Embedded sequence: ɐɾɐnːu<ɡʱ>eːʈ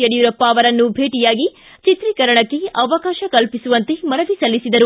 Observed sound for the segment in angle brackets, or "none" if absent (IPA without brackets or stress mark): bʱ